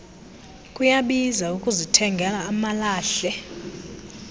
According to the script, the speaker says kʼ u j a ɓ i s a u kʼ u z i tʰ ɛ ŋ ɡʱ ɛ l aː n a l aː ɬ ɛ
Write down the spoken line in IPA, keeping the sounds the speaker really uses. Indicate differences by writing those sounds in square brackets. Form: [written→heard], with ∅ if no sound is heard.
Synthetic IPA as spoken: kʼ u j a ɓ i [s→z] a u kʼ u z i tʰ ɛ ŋ ɡʱ ɛ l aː [n→m] a l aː ɬ ɛ